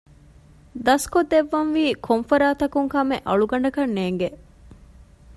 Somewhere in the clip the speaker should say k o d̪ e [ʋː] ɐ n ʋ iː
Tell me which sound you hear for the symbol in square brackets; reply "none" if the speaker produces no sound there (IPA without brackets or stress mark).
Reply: ʋː